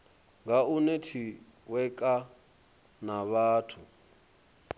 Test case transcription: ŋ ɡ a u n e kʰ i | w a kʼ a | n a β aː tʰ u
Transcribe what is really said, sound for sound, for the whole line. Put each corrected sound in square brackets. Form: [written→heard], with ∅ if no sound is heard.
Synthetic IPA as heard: ŋ ɡ a u n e [kʰ→tʰ] i | w [a→ɛ] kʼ a | n a β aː tʰ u